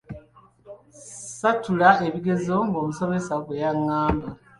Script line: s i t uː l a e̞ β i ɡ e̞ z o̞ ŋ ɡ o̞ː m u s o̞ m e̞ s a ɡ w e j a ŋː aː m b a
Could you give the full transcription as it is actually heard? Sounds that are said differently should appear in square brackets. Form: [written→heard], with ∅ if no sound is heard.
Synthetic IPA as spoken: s [i→a] t [uː→u] l a e̞ β i ɡ e̞ z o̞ ŋ ɡ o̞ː m u s o̞ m e̞ s a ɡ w e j a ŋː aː m b a